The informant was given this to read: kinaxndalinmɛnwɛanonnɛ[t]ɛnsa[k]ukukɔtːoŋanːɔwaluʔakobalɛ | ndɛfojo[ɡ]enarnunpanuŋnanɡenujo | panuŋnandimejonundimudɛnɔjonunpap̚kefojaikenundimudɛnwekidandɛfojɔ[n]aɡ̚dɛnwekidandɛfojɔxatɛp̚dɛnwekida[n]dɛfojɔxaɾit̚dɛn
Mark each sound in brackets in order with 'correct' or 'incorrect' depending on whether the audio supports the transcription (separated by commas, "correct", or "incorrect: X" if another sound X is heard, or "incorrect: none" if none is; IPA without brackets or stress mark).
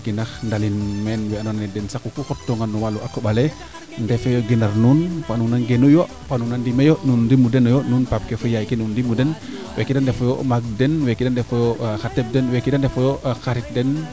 incorrect: d, correct, correct, incorrect: m, correct